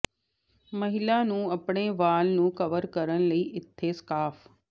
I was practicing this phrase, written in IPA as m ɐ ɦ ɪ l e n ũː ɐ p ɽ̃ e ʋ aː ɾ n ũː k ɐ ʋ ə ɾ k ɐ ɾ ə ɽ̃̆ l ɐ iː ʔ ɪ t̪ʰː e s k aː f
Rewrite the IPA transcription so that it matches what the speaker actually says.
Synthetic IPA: m ɐ ɦ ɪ l a n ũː ɐ p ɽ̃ e ʋ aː l n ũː k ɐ ʋ ə ɾ k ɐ ɾ ə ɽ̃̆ l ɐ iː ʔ ɪ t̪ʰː e s k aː f